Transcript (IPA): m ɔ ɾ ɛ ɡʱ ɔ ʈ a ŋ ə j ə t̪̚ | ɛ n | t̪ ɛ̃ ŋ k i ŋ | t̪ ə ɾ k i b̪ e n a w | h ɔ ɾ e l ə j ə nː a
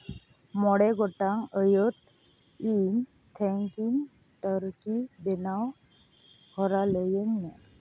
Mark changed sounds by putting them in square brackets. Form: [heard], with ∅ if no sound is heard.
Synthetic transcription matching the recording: m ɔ [ɽ] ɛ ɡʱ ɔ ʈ a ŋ ə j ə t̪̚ | [i] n | [t̪ʰ] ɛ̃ ŋ k i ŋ | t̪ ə ɾ k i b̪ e n a w | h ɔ ɾ [a] l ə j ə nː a